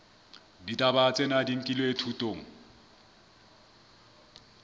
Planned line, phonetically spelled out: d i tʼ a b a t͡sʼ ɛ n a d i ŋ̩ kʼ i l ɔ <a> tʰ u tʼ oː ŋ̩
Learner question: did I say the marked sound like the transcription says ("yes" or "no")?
no